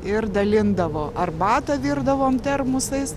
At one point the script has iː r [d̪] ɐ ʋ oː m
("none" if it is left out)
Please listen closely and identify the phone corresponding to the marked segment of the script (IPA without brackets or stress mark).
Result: d̪